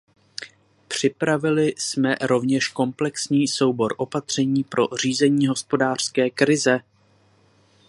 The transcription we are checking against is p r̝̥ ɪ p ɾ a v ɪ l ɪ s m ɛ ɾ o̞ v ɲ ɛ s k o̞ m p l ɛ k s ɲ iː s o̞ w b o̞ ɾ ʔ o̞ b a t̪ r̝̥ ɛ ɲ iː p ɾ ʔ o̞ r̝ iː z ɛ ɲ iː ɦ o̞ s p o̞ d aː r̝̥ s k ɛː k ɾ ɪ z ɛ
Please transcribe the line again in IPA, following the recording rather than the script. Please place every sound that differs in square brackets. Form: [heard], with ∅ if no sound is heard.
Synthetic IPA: p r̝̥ ɪ p ɾ a v ɪ l ɪ s m ɛ ɾ o̞ v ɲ ɛ [ʃ] k o̞ m p l ɛ k s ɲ iː s o̞ w b o̞ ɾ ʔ o̞ [p] a t̪ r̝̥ ɛ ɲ iː p ɾ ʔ o̞ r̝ iː z ɛ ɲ iː ɦ o̞ s p o̞ d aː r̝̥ s k ɛː k ɾ ɪ z ɛ